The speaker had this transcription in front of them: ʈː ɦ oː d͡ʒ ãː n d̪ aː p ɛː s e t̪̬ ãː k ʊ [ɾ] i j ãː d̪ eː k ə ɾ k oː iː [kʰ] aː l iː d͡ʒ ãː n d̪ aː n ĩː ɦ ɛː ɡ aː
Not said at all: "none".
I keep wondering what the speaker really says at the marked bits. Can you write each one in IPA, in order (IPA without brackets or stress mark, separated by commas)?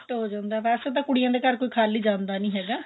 ɽ, kʰ